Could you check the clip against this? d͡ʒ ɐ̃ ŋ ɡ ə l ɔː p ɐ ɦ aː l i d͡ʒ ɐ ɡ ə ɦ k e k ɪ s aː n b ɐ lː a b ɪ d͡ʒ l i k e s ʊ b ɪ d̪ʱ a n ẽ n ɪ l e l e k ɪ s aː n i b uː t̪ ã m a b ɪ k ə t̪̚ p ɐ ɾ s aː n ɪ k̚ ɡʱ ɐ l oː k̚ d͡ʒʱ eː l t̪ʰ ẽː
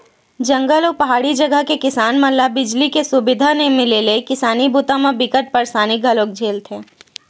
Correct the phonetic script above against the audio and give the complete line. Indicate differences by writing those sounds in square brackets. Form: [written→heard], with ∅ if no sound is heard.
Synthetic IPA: d͡ʒ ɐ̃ ŋ ɡ ə l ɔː p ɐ ɦ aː [l→ɽ] i d͡ʒ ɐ ɡ ə ɦ k e k ɪ s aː n [b→m] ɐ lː a b ɪ d͡ʒ l i k e s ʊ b ɪ d̪ʱ a n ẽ [n→m] ɪ l e l e k ɪ s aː n i b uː t̪ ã m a b ɪ k ə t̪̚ p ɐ ɾ s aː n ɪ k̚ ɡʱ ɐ l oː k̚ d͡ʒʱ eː l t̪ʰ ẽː